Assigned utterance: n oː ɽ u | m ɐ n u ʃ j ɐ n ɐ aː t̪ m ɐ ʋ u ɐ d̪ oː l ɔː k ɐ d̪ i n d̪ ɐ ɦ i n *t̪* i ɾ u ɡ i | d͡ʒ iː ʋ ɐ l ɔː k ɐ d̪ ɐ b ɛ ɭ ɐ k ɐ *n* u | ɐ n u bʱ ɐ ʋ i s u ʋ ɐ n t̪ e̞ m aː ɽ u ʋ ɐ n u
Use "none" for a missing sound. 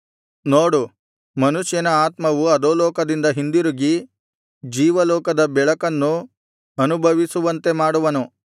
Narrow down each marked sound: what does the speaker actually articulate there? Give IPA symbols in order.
d̪, nː

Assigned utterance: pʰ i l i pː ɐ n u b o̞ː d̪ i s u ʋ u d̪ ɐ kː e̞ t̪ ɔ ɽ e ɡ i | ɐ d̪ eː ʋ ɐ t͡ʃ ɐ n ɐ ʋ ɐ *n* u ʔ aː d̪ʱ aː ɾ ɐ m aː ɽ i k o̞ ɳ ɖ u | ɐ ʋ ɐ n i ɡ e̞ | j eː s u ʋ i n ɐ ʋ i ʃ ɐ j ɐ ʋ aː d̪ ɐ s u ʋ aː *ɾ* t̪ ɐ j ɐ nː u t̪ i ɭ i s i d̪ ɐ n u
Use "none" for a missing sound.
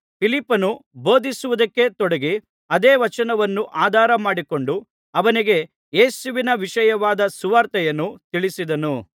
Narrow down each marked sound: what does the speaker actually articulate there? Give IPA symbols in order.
nː, ɾ

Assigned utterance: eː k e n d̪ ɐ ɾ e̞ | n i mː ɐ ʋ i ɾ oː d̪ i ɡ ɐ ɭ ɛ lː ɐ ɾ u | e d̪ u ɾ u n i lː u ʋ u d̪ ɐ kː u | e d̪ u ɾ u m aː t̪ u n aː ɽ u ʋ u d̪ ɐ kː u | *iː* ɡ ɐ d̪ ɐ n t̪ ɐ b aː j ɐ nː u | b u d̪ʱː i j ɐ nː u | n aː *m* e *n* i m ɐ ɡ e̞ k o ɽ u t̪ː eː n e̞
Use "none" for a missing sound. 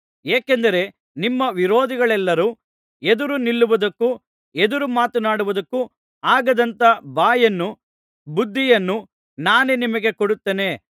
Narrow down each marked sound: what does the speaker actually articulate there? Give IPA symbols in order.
aː, n, n

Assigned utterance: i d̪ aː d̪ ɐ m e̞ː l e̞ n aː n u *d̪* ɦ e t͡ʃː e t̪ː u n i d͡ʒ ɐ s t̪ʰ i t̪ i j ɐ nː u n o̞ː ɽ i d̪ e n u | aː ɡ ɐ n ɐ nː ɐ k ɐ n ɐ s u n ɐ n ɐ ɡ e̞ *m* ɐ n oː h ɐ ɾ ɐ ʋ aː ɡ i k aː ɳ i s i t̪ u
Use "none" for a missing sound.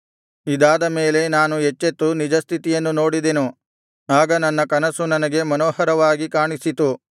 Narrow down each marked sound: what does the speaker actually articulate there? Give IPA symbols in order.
none, m

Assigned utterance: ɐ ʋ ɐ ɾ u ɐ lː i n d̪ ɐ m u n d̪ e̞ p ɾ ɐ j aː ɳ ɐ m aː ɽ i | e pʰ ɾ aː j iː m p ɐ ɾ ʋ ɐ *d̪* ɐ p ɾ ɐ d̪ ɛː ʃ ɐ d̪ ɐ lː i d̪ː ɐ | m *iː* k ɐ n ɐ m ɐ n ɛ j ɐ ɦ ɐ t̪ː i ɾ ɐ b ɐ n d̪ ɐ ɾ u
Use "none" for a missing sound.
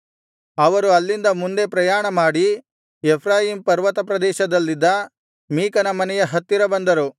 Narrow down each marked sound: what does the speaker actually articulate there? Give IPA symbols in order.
t̪, iː

